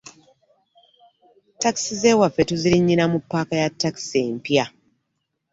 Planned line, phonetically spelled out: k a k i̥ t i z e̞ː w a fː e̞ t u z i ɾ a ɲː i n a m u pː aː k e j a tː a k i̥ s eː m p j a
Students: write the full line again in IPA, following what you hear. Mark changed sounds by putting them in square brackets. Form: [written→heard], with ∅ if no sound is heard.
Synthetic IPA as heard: [k→t] a k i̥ [t→s] i z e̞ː w a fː e̞ t u z i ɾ [a→i] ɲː i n a m u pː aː k [e→a] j a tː a k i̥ s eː m p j a